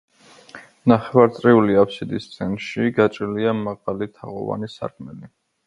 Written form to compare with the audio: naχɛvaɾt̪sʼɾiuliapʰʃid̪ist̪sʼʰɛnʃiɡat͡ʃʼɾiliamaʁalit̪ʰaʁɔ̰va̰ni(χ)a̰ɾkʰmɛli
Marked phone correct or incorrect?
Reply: incorrect